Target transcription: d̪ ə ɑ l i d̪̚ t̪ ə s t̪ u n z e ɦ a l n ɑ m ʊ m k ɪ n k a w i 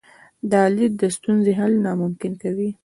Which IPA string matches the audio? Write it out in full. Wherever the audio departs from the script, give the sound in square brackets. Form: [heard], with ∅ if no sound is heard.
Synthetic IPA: d̪ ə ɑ l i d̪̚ [d̪] ə s t̪ u n z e ɦ a l n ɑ m ʊ m k ɪ n k a w i